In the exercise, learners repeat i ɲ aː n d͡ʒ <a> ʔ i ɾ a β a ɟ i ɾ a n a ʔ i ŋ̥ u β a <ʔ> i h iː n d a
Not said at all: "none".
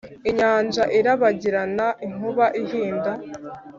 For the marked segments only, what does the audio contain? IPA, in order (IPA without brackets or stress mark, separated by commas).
a, ʔ